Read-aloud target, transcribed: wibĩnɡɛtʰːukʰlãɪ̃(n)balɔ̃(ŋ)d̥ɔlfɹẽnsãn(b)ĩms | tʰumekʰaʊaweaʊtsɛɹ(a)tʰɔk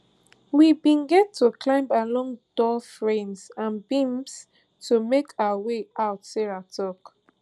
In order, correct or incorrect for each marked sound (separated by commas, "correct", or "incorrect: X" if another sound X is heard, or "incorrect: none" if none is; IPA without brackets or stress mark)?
incorrect: m, correct, correct, correct